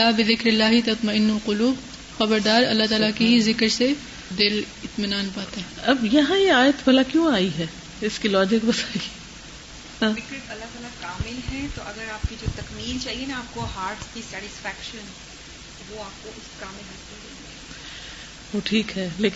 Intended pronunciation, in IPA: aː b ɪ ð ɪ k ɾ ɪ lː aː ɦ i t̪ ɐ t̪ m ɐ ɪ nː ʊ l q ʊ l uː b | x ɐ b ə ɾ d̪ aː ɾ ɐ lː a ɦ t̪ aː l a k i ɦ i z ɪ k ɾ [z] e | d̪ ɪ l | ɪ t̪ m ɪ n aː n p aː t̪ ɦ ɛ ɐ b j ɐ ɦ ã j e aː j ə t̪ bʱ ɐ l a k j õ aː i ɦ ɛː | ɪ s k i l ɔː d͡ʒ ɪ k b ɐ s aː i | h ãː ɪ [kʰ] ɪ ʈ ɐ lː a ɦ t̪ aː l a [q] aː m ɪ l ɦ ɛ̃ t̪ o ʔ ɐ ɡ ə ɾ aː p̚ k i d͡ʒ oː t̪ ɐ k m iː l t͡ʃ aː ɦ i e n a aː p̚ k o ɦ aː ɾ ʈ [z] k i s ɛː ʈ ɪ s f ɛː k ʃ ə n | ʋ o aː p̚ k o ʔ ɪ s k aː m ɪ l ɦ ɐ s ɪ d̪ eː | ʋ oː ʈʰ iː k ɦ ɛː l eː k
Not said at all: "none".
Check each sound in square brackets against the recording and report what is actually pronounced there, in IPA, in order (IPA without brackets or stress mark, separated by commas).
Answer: s, k, k, s